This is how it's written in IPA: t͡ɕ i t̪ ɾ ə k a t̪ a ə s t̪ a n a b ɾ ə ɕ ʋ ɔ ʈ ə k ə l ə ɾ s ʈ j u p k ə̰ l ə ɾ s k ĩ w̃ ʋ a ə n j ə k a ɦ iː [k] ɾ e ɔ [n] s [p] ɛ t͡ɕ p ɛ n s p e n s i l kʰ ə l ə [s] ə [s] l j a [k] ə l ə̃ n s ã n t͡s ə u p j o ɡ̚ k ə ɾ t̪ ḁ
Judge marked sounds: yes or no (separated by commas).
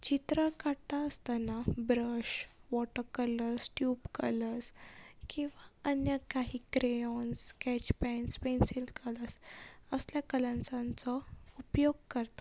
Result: yes, yes, no, yes, yes, yes